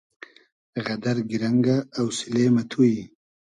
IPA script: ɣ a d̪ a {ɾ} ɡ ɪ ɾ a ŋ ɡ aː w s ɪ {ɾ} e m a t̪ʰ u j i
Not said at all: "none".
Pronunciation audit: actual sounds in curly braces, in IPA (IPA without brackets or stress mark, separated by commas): ɾ, l